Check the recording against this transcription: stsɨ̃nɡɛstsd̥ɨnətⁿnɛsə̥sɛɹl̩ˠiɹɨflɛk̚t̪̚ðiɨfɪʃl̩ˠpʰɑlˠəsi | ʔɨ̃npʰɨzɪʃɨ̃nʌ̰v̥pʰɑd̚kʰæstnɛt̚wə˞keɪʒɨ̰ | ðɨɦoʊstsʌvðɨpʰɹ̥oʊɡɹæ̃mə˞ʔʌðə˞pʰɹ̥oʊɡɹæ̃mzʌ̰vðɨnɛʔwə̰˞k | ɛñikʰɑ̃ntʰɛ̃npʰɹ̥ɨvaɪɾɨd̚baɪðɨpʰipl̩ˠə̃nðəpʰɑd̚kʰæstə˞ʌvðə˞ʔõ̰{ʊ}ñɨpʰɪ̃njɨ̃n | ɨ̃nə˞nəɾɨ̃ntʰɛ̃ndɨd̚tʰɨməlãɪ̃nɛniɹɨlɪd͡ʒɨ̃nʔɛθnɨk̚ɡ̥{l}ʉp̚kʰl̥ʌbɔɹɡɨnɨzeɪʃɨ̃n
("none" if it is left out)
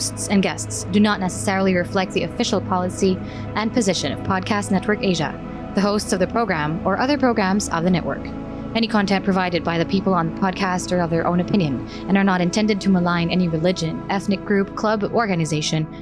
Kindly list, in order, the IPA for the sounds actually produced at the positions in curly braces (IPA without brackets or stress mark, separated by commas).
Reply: ʊ̃, ɹ